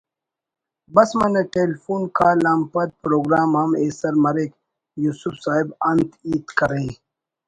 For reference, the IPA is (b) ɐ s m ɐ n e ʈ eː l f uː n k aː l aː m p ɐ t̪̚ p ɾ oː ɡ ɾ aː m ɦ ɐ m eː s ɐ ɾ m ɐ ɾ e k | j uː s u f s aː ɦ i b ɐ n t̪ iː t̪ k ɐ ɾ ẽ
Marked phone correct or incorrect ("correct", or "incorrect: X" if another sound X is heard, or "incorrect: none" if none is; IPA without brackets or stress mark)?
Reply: correct